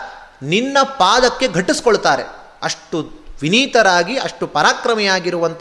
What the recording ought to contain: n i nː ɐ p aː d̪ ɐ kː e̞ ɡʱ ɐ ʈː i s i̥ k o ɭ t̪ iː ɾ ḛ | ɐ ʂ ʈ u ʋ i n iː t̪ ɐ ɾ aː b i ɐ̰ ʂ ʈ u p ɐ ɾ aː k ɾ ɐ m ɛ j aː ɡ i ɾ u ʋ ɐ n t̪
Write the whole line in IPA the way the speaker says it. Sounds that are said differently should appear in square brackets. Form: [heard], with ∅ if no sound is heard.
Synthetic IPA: n i nː ɐ p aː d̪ ɐ kː e̞ ɡʱ ɐ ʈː i s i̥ k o ɭ t̪ [aː] ɾ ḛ | ɐ ʂ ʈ u ʋ i n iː t̪ ɐ ɾ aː [ɡ] i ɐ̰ ʂ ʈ u p ɐ ɾ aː k ɾ ɐ m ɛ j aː ɡ i ɾ u ʋ ɐ n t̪